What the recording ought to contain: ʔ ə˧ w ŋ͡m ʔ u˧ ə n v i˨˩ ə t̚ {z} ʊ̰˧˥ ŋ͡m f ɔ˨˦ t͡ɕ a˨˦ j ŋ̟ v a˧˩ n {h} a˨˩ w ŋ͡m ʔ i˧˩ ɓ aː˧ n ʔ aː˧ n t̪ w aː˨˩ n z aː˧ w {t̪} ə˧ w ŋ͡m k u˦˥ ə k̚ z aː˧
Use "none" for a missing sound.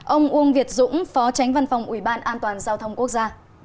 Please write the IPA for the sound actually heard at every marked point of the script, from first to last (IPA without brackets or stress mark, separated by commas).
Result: z, f, t̪ʰ